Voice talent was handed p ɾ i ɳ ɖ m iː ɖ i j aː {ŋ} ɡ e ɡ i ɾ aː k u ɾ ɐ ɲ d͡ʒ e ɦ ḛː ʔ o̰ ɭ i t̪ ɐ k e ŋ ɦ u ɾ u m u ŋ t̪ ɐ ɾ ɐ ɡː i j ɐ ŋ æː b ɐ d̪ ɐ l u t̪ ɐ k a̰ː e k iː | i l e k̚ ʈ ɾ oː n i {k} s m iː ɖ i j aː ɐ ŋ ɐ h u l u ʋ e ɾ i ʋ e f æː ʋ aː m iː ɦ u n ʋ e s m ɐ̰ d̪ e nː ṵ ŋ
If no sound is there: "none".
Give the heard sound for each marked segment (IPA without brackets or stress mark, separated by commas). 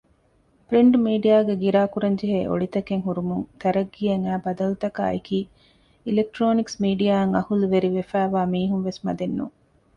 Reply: none, k